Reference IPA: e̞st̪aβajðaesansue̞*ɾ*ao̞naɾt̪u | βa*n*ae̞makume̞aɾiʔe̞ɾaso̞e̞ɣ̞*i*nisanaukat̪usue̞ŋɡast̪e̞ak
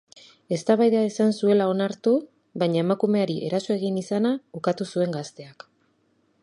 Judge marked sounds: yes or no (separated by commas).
no, no, yes